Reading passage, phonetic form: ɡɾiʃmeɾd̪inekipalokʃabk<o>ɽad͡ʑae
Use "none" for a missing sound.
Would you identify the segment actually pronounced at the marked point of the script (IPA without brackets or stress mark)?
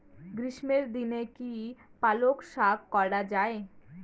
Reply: ɔ